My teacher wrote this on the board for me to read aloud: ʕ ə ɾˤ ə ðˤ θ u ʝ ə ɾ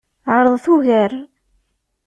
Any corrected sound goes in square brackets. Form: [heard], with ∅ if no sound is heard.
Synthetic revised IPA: ʕ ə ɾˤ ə ðˤ θ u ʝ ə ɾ